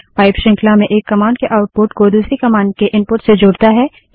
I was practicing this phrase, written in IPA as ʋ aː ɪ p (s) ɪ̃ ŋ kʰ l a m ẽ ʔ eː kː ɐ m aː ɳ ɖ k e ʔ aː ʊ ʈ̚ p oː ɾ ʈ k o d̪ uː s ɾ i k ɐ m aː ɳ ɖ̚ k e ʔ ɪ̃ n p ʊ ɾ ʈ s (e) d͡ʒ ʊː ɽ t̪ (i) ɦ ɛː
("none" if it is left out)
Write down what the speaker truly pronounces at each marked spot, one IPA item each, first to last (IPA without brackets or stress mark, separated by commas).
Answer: ʃ, e, a